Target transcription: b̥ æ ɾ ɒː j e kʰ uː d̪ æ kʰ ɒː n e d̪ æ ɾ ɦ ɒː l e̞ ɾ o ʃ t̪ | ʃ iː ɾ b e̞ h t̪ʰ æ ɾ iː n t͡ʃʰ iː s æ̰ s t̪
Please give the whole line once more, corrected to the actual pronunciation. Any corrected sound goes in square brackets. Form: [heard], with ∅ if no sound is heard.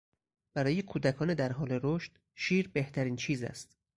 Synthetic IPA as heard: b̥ æ ɾ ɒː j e kʰ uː d̪ æ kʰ ɒː n e d̪ æ ɾ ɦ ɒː l e̞ ɾ o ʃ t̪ | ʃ iː ɾ b e̞ h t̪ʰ æ ɾ iː n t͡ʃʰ iː [z] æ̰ s t̪